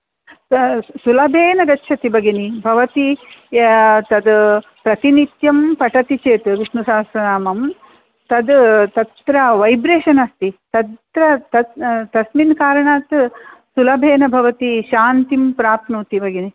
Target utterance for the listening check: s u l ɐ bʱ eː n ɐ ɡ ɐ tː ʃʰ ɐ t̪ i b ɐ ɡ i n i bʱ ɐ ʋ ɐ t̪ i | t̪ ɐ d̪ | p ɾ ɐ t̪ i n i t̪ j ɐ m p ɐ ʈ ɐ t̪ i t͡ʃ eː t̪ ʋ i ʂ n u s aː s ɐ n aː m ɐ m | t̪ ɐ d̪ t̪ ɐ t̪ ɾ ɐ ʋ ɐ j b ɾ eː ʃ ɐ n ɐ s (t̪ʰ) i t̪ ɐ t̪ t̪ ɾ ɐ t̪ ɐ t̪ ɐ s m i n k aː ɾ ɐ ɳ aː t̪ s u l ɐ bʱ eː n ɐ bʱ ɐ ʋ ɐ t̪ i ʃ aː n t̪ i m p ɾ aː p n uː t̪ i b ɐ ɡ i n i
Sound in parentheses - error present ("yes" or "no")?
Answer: yes